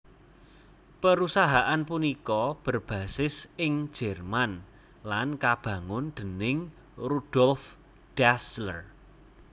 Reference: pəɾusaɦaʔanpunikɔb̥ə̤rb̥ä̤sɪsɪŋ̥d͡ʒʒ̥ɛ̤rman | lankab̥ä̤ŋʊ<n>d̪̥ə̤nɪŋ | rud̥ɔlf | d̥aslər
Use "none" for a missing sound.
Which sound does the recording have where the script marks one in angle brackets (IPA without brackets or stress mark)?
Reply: n